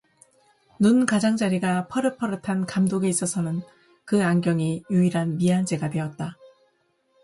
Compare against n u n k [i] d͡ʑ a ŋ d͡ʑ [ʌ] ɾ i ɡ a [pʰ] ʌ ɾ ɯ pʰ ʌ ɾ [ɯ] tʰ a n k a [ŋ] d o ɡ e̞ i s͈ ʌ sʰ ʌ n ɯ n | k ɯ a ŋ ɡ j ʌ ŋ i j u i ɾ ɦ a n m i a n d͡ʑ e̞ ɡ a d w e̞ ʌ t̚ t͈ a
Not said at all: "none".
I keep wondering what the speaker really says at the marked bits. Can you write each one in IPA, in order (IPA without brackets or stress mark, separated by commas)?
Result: a, a, pʰ, ɯ, m